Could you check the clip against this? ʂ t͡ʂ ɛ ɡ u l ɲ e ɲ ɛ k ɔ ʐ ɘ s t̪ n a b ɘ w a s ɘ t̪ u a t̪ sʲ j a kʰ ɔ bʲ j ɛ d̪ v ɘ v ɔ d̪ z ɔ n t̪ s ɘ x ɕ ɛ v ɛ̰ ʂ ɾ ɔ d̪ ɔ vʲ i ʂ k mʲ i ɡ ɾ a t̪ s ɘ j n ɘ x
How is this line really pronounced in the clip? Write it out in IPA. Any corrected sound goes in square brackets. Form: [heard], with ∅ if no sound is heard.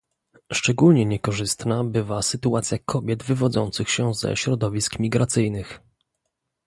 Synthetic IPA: ʂ t͡ʂ ɛ ɡ u l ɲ [ɛ] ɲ ɛ k ɔ ʐ ɘ s t̪ n a b ɘ [v] a s ɘ t̪ u a t̪ sʲ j a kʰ ɔ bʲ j ɛ d̪ v ɘ v ɔ d̪ z ɔ n t̪ s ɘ x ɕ ɛ [z] ɛ̰ [ɕ] ɾ ɔ d̪ ɔ vʲ i [s] k mʲ i ɡ ɾ a t̪ s ɘ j n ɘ x